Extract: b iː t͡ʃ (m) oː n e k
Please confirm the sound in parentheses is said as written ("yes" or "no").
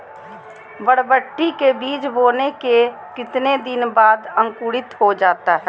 no